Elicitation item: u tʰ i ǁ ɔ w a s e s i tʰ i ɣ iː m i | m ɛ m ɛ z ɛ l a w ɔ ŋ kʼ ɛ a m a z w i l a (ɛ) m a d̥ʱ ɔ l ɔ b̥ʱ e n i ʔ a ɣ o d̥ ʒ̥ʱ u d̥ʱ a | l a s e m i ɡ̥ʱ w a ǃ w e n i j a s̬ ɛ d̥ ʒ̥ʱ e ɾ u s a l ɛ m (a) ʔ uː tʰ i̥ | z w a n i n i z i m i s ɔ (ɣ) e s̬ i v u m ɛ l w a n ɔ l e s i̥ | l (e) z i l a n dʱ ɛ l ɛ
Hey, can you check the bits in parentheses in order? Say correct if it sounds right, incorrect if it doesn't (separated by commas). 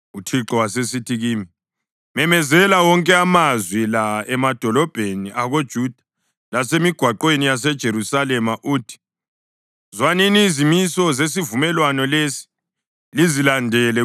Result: correct, correct, incorrect, incorrect